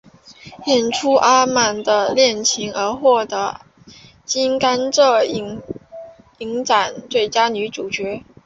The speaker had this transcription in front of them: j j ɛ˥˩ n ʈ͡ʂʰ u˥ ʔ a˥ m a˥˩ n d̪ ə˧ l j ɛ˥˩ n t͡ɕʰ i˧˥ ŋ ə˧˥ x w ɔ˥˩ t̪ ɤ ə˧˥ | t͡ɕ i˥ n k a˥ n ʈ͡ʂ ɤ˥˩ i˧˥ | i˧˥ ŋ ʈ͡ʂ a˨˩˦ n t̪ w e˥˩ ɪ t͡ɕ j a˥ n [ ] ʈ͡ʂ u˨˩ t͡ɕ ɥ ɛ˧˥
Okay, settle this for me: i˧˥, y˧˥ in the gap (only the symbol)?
y˧˥